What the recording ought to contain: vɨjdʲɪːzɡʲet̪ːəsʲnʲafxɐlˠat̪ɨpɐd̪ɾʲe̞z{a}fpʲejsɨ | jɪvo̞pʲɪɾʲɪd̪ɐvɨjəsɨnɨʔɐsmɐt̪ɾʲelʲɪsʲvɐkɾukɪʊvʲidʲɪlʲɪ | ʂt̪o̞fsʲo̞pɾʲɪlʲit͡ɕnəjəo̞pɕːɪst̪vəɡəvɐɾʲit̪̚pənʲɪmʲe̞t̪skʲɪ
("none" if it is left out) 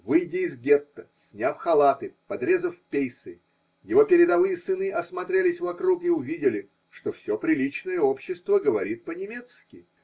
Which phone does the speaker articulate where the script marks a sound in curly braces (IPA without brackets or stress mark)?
ə